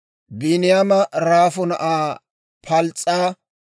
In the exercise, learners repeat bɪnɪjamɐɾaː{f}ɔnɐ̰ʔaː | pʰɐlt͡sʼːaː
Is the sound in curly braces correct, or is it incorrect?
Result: correct